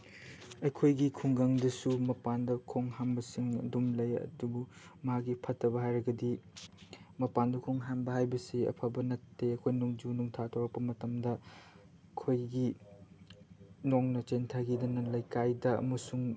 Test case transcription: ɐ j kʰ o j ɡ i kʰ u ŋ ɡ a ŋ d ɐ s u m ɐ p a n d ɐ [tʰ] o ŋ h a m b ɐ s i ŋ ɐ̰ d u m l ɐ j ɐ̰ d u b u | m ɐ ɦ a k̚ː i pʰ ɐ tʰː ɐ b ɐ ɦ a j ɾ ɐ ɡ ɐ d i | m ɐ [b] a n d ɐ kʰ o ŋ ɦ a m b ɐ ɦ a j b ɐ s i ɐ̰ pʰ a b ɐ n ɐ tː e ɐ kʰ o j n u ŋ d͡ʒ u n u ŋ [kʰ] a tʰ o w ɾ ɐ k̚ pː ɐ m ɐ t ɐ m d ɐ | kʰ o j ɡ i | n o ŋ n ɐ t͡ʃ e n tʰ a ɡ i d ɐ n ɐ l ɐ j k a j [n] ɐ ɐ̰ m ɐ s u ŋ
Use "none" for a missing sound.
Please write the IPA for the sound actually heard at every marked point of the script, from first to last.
kʰ, p, tʰ, d

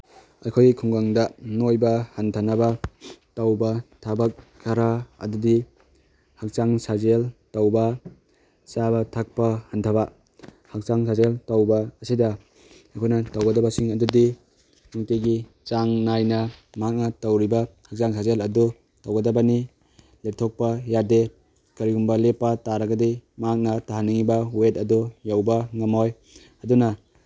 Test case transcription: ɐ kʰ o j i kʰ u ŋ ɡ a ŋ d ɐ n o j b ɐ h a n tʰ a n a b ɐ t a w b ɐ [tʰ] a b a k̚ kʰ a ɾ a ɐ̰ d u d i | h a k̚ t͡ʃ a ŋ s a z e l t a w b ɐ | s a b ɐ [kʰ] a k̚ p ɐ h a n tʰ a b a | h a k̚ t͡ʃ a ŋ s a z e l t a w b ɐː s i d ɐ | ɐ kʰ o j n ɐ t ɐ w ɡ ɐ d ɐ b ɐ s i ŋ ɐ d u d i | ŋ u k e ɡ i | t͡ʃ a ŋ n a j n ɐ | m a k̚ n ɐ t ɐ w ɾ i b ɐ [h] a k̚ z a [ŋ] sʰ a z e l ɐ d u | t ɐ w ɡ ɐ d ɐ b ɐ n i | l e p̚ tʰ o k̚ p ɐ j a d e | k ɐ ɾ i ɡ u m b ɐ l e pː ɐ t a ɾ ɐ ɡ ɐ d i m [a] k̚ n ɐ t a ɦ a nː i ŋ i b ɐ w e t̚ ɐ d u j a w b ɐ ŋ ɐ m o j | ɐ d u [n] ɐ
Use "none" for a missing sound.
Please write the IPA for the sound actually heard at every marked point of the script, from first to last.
tʰ, tʰ, h, ŋ, a, n

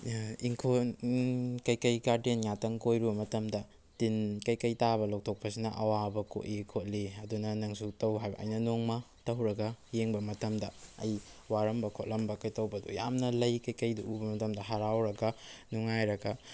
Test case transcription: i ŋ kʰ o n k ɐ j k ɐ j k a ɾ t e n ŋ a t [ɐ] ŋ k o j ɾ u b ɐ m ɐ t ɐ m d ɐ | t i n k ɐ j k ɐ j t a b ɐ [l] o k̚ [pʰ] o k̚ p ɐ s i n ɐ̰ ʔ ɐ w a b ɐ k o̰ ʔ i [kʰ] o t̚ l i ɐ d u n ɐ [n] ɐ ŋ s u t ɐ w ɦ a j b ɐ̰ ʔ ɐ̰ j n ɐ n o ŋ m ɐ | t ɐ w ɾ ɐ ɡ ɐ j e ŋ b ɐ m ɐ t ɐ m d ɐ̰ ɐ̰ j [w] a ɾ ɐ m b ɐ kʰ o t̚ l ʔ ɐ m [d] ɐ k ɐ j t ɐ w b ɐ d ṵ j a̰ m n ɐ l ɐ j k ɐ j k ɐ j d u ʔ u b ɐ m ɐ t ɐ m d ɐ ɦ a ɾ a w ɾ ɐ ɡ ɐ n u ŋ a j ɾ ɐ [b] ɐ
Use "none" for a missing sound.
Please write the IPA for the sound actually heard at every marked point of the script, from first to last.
ɐ, l, tʰ, kʰ, n, w, b, ɡ

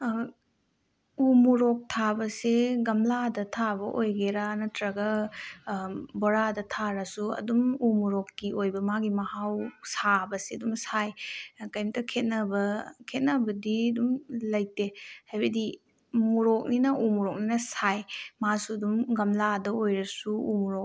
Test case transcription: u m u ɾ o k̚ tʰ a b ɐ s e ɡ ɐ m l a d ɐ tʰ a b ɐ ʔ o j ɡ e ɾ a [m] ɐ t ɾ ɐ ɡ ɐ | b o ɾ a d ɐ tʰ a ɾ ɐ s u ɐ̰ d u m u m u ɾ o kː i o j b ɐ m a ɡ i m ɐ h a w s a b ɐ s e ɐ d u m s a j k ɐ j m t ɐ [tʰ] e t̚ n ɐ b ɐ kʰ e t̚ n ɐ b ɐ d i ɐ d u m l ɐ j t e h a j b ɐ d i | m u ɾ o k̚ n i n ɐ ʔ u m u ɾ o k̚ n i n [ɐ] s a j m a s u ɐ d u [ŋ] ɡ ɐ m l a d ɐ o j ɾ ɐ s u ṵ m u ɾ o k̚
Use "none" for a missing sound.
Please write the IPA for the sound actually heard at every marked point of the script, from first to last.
n, kʰ, ɐ, m

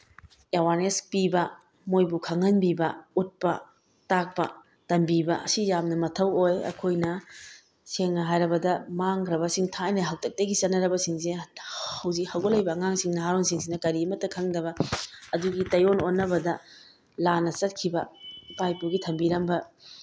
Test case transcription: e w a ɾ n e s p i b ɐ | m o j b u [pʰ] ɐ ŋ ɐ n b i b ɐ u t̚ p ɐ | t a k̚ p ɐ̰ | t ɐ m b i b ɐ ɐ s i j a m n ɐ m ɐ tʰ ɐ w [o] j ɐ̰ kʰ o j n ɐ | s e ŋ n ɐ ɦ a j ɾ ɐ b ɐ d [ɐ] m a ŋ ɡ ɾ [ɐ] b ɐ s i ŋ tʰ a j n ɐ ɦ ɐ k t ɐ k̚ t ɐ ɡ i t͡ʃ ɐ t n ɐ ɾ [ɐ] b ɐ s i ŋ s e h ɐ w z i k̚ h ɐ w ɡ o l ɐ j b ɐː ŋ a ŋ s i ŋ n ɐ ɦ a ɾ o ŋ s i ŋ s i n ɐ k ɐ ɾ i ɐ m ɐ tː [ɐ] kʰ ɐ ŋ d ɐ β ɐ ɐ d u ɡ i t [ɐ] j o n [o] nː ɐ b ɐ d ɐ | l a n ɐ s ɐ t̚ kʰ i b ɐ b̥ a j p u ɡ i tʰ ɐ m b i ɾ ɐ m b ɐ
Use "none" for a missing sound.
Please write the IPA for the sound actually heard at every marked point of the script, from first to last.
kʰ, o, ɐ, ɐ, ɐ, ɐ, ɐ, o

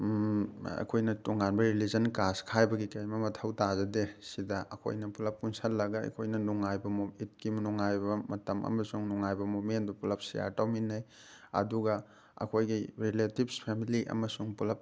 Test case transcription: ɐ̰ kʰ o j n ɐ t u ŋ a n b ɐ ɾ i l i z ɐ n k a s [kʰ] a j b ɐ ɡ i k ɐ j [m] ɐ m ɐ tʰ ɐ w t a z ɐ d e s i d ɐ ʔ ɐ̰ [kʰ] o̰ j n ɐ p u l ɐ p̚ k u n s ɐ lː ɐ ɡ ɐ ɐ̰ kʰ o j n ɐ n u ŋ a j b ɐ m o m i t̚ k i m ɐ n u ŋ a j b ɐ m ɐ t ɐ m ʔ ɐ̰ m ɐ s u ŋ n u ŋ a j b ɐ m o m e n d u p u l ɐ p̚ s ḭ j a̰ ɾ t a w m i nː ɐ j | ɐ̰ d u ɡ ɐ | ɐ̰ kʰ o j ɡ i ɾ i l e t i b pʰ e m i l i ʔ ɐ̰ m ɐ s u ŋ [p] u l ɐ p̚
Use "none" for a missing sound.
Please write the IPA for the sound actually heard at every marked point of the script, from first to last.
kʰ, m, kʰ, p

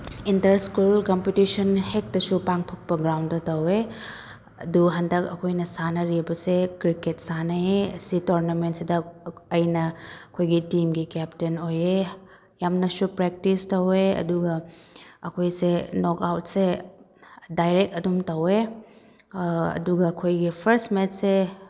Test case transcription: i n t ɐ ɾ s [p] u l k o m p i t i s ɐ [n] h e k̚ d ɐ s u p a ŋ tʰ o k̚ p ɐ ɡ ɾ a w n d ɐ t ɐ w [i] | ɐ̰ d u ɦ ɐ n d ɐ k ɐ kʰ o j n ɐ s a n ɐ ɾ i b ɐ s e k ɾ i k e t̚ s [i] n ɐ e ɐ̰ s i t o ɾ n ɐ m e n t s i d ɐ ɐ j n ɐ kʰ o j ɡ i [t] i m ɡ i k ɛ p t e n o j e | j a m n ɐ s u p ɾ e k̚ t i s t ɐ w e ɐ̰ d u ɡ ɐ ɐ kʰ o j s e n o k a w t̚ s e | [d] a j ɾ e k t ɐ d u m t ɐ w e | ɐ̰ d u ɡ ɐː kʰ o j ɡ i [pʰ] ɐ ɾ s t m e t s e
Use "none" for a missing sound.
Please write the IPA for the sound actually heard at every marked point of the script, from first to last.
k, n, e, a, t, d, pʰ

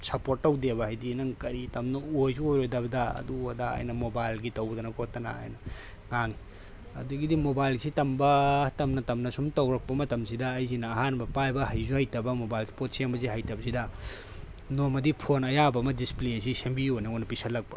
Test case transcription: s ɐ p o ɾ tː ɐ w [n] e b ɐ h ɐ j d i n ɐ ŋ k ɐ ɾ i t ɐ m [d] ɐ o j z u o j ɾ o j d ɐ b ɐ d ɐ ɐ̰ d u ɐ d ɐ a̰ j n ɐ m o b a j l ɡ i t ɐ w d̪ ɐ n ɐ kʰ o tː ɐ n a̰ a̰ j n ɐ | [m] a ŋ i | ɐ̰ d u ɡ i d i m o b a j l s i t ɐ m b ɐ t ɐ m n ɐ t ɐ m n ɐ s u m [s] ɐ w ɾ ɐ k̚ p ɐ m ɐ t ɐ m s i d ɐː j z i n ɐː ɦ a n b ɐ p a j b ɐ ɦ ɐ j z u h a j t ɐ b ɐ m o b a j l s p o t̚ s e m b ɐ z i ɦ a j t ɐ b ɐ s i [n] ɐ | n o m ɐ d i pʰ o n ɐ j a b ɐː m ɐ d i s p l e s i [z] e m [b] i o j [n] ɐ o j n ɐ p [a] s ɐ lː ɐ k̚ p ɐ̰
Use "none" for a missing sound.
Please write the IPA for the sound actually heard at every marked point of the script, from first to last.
d, n, ŋ, t, d, s, b, n, i

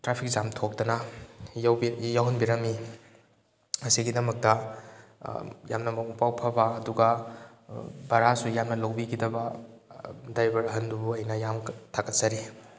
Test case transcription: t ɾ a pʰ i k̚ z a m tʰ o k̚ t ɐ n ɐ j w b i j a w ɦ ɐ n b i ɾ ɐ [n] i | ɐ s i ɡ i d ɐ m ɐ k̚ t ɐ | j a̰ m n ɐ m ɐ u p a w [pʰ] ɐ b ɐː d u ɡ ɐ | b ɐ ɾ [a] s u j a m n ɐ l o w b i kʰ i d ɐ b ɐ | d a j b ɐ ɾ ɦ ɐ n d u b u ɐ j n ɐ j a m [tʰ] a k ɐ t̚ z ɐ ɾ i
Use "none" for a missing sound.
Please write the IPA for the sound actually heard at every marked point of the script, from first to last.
m, pʰ, a, tʰ

